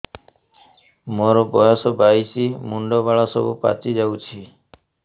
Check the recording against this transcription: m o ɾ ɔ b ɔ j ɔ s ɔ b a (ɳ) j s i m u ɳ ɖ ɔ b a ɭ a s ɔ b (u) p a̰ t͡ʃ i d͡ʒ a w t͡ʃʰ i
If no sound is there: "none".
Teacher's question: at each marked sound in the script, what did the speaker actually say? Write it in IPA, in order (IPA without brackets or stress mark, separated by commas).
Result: none, u